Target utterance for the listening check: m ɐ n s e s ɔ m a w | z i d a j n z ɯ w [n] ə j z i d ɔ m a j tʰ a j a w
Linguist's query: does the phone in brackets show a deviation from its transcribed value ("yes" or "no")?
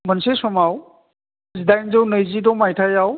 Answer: no